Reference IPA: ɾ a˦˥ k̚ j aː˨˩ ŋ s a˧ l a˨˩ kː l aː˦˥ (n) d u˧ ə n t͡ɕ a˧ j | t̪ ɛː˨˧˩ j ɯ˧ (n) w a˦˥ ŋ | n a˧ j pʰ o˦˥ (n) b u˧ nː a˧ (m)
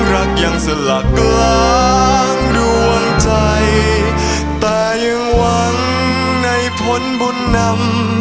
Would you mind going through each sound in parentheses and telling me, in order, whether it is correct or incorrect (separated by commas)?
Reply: incorrect, incorrect, correct, correct